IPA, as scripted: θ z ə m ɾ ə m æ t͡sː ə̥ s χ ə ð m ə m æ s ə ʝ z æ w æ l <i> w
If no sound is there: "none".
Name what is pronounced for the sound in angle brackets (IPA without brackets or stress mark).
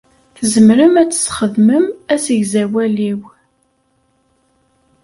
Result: i